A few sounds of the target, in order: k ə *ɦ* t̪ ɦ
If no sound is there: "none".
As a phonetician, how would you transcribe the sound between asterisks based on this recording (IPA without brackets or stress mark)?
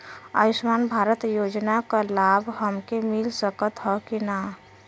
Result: none